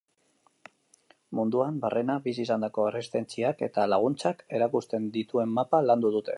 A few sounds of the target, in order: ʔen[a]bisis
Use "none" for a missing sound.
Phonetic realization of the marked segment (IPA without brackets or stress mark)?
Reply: a